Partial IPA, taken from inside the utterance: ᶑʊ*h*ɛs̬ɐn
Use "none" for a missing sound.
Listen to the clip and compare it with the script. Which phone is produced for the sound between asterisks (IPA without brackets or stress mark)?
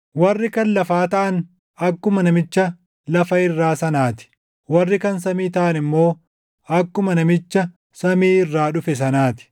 f